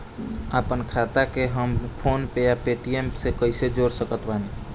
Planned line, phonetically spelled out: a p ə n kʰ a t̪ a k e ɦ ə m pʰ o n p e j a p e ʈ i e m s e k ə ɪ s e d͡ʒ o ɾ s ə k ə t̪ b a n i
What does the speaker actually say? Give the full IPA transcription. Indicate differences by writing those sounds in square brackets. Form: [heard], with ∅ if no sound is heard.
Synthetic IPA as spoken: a p ə n kʰ a t̪ a k e ɦ ə m pʰ o n p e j a p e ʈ i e m s e k ə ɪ s e d͡ʒ o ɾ s ə k ə t̪ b a n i